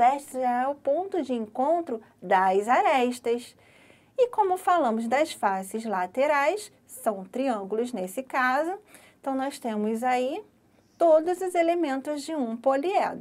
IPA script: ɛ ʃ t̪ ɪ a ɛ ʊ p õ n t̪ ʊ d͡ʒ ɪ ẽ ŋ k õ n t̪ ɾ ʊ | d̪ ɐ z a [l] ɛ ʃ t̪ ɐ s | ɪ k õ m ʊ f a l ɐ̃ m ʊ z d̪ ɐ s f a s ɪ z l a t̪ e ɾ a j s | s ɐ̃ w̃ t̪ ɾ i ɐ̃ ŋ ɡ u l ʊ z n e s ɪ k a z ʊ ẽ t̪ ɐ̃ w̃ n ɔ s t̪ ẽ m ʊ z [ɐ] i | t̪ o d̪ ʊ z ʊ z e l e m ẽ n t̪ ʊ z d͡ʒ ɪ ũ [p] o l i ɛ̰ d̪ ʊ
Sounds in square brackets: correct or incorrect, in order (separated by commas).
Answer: incorrect, incorrect, correct